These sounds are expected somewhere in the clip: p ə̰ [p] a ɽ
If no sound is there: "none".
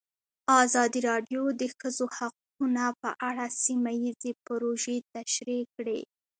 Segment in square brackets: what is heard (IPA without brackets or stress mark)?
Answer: ʔ